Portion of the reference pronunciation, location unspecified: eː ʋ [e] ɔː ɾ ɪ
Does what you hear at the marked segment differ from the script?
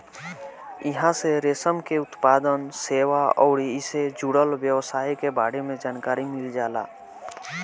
yes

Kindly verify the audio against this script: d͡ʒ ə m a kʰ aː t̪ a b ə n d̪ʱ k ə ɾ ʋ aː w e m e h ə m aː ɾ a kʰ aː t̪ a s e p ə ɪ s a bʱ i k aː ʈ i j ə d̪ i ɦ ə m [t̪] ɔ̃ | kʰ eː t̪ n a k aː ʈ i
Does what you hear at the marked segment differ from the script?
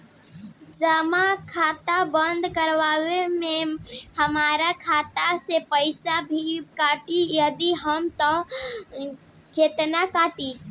no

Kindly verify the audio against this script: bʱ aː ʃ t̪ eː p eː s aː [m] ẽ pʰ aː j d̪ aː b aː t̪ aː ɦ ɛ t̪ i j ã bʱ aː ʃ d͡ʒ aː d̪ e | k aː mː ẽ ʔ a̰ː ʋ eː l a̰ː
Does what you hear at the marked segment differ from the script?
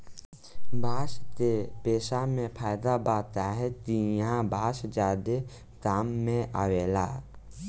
no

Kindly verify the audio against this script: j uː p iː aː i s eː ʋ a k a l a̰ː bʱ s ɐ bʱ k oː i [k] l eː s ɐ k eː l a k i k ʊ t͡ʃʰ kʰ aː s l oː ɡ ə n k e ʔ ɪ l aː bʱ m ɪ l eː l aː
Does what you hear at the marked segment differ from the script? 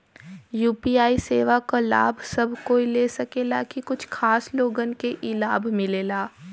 yes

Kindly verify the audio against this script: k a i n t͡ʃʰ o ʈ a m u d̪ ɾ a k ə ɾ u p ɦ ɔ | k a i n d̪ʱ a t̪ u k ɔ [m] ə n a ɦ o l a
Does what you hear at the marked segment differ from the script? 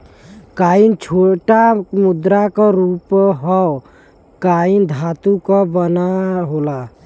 yes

